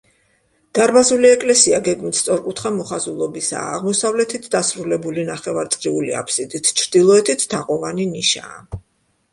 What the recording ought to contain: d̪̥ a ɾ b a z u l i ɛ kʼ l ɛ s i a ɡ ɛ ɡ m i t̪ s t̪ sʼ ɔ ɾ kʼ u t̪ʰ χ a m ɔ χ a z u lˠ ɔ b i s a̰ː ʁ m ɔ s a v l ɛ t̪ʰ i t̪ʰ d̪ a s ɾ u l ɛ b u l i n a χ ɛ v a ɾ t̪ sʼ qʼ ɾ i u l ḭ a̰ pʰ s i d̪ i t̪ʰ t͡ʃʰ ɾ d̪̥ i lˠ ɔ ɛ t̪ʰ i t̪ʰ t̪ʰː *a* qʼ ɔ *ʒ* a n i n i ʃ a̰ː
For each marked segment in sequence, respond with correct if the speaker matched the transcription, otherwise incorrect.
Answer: correct, incorrect: v

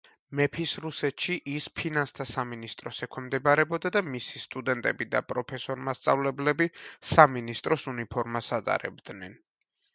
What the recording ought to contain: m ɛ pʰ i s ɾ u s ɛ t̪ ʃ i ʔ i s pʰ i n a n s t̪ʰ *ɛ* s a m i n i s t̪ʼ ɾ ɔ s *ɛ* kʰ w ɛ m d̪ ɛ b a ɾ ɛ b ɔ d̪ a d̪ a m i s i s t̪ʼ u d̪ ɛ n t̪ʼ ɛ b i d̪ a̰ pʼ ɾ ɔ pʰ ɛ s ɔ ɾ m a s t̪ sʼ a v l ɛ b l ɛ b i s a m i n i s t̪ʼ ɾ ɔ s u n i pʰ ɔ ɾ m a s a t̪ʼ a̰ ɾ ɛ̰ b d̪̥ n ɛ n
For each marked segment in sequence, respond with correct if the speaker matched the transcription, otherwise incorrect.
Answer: incorrect: a, correct

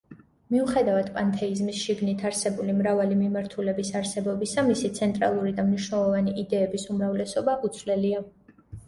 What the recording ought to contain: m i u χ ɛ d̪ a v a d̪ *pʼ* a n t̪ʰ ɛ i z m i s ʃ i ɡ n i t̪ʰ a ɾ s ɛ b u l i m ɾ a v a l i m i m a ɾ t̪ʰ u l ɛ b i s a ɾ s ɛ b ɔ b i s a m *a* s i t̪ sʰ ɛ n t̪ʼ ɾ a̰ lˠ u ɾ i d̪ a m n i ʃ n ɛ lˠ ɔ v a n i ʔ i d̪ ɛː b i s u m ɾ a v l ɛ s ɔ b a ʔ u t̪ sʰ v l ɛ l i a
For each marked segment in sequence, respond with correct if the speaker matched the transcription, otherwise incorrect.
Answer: correct, incorrect: i

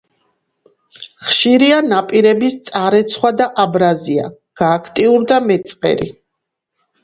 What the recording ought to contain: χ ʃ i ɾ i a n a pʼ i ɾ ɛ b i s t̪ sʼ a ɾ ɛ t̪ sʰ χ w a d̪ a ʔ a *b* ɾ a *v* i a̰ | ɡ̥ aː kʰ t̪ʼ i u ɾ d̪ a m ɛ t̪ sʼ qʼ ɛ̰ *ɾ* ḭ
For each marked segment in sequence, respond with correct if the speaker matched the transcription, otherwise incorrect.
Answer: correct, incorrect: z, correct

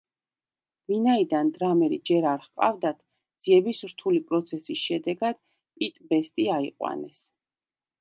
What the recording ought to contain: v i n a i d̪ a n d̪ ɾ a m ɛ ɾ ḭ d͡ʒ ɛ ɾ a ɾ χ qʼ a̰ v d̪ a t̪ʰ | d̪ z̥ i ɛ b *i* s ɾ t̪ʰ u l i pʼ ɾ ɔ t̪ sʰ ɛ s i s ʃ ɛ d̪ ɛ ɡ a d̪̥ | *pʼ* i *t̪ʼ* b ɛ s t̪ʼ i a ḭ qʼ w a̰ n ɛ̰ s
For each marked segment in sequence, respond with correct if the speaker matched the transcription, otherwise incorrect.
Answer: correct, correct, correct

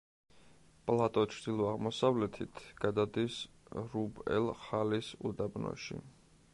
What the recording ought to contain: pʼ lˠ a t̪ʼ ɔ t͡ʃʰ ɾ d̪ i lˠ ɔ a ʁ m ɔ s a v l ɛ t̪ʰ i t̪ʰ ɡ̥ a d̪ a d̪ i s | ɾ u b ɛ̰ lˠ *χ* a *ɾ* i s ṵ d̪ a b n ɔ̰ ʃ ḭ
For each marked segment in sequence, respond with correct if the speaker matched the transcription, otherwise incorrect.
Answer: correct, incorrect: l

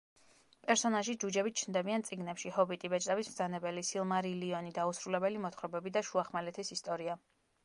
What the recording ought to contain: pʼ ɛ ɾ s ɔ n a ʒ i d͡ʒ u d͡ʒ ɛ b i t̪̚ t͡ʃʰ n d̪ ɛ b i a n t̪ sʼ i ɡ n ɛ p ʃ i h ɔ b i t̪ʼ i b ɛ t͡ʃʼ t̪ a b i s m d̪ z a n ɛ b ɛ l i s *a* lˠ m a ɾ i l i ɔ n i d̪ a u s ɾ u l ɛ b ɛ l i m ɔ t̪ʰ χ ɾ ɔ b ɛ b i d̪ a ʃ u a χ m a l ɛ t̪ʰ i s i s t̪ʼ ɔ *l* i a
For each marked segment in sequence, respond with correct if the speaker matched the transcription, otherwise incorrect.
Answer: incorrect: i, incorrect: ɾ

